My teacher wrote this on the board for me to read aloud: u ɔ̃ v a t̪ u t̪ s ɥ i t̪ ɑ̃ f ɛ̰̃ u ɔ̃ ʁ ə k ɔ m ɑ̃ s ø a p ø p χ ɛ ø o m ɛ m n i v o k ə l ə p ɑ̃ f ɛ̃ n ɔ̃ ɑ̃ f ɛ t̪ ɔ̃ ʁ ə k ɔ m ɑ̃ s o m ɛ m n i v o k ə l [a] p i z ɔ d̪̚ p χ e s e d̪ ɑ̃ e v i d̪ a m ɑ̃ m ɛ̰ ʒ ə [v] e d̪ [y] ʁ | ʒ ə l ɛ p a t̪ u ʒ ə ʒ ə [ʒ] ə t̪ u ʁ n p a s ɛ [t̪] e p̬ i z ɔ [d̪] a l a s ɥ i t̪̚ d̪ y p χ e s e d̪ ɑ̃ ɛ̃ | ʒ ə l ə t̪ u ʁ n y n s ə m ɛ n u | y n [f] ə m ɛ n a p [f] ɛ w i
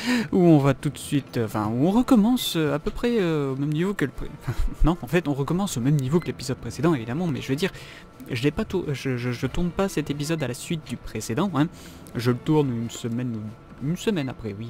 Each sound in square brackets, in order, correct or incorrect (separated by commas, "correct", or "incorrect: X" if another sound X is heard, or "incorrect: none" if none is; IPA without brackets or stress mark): incorrect: e, correct, incorrect: i, correct, correct, correct, incorrect: s, incorrect: χ